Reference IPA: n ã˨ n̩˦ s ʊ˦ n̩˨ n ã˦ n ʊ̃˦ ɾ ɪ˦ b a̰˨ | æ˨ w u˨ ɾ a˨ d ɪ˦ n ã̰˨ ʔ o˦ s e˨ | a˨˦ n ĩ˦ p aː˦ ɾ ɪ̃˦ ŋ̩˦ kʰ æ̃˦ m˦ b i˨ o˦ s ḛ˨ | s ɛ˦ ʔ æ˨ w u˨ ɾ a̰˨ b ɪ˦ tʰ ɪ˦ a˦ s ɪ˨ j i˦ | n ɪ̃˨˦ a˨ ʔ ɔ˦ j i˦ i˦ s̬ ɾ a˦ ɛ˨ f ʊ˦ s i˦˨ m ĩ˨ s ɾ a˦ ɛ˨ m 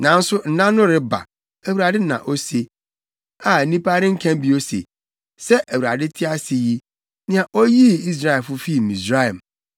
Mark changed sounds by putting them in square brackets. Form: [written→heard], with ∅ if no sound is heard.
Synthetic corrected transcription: n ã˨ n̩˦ s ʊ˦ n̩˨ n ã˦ n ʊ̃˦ ɾ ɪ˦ b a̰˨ | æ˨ w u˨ ɾ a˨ d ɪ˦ n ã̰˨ ʔ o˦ s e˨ | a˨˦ n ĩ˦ p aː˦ ɾ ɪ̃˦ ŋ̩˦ kʰ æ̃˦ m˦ b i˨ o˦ s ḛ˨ | s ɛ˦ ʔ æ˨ w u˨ ɾ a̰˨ [b→d] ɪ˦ tʰ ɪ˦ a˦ s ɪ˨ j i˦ | n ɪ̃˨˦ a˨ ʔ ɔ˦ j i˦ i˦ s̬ ɾ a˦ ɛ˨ f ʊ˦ [s→f] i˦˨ m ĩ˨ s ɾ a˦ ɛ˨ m